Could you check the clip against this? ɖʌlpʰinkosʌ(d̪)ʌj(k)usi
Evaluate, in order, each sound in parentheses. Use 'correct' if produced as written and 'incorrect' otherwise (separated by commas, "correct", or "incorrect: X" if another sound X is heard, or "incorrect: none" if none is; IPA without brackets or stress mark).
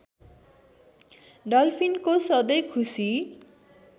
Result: correct, incorrect: kʰ